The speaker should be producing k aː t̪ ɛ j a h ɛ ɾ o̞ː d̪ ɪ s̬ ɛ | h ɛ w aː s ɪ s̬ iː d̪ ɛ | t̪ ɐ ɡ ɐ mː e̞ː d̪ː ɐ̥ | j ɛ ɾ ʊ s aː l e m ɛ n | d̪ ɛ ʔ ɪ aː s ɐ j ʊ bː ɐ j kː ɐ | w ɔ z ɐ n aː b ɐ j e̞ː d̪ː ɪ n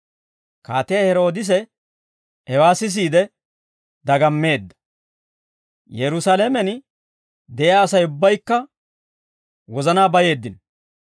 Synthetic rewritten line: k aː t̪ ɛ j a h ɛ ɾ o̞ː d̪ ɪ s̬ ɛ | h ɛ w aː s ɪ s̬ iː d̪ ɛ | d̪ ɐ ɡ ɐ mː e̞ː d̪ː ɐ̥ | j ɛ ɾ ʊ s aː l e m ɛ n | d̪ ɛ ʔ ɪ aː s ɐ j ʊ bː ɐ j kː ɐ | w ɔ z ɐ n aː b ɐ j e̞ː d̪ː ɪ n